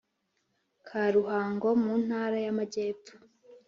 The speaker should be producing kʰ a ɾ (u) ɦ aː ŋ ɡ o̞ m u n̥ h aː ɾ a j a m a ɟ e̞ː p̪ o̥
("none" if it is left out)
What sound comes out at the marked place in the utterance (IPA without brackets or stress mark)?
u